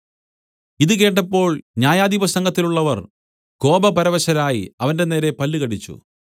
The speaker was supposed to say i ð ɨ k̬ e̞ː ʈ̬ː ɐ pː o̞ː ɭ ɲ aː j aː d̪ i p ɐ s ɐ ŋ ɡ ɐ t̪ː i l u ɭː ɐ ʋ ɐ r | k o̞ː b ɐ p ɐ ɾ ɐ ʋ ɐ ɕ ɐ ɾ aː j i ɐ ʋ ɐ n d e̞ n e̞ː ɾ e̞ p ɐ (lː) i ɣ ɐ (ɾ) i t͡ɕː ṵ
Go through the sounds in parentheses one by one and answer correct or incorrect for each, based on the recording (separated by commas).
correct, incorrect